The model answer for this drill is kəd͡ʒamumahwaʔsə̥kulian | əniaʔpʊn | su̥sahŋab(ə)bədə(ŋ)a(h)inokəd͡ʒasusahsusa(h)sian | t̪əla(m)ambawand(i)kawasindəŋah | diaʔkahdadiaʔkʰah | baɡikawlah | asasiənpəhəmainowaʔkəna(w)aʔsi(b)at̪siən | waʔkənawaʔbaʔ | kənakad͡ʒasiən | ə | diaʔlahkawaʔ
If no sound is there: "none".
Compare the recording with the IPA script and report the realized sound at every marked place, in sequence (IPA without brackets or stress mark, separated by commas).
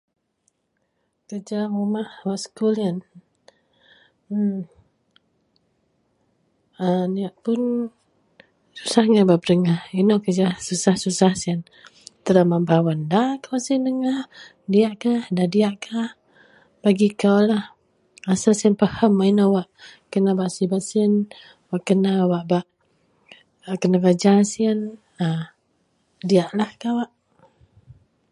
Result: a, ŋ, h, h, m, a, b, b